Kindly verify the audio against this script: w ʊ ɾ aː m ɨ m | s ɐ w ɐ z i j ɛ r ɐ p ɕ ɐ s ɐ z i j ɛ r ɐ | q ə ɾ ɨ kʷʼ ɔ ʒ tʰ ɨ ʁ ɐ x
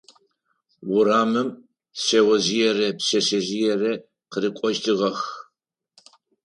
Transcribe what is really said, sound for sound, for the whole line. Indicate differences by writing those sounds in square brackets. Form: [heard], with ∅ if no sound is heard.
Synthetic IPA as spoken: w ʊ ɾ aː m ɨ m | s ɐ w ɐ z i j ɛ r ɐ p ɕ ɐ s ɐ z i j ɛ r ɐ | q ə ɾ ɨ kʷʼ ɔ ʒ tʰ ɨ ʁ ɐ x